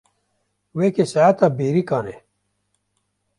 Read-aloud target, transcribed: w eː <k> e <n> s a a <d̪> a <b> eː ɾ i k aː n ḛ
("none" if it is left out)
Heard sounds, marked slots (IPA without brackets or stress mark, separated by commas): k, none, t̪, b